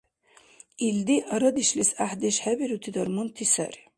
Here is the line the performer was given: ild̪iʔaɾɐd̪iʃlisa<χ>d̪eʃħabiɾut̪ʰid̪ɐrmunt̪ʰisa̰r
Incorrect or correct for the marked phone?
incorrect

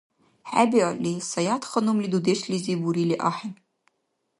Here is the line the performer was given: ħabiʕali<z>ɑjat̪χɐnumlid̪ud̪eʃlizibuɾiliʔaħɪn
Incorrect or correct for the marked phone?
incorrect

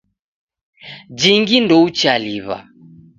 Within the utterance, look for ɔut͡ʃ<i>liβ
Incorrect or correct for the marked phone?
incorrect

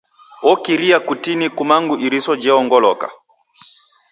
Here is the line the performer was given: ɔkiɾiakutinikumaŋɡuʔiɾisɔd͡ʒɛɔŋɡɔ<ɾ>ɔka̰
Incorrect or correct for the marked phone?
incorrect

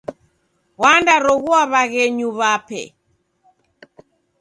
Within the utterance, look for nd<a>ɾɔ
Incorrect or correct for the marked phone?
correct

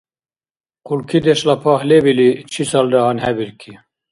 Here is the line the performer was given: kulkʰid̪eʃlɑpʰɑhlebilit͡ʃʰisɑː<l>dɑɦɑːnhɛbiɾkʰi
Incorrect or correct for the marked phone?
correct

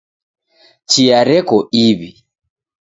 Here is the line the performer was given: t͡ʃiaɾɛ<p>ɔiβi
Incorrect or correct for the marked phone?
incorrect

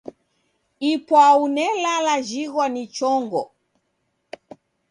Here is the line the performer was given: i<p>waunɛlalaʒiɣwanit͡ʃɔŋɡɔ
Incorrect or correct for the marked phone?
correct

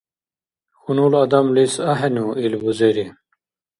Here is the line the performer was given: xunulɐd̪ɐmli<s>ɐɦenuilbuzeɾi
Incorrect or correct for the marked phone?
correct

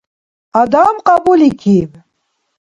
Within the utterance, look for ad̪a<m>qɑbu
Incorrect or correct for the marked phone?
correct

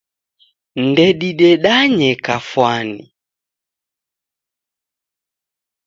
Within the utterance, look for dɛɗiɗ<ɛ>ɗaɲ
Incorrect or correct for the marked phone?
correct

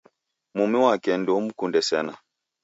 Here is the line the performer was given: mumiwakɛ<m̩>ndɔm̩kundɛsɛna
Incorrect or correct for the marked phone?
incorrect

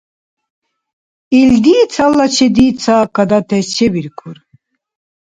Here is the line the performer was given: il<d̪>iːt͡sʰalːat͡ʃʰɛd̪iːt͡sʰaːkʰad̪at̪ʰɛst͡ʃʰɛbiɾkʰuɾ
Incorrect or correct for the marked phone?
correct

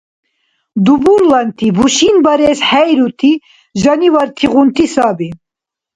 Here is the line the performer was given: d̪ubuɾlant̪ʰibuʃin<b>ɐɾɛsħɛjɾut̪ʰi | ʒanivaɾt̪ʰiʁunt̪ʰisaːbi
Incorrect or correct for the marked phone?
correct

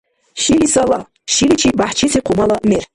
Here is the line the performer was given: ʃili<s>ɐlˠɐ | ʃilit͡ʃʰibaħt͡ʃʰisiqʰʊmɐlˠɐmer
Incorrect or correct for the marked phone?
correct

